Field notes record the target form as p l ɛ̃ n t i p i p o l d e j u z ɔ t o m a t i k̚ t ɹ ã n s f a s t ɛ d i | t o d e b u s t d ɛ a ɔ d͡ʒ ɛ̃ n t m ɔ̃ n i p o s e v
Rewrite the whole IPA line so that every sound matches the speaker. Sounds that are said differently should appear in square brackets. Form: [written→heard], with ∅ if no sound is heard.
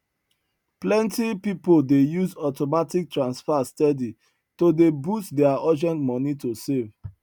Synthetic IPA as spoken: p l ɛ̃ n t i p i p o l d e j u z ɔ t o m a t i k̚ t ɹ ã n s f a s t ɛ d i | t o d e b u s t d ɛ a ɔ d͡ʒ ɛ̃ n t m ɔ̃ n i [p→t] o s e v